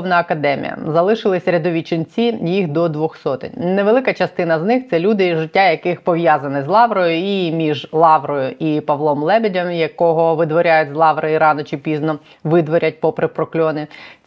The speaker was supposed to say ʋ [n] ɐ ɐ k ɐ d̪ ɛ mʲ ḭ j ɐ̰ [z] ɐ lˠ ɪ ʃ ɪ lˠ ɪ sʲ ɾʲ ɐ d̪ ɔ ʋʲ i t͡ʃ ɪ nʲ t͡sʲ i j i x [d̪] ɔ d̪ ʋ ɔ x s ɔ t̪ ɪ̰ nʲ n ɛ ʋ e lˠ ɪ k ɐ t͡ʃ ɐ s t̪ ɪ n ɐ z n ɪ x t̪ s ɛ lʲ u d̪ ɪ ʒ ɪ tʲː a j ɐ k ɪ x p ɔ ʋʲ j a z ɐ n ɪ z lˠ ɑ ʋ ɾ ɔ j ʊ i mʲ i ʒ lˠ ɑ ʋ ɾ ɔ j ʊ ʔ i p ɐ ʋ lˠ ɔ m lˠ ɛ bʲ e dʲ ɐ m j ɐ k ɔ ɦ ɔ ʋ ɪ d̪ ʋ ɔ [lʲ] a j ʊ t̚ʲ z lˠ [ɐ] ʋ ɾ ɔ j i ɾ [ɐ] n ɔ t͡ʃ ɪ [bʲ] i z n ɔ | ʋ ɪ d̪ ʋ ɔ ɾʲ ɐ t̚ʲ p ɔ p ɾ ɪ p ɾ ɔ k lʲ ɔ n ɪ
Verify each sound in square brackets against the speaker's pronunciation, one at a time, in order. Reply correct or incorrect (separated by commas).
correct, correct, correct, incorrect, incorrect, incorrect, incorrect